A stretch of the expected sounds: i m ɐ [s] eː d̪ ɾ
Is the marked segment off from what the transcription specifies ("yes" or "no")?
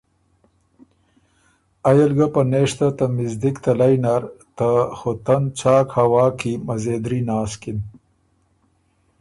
yes